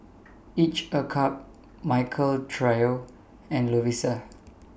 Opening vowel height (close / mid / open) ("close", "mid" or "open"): close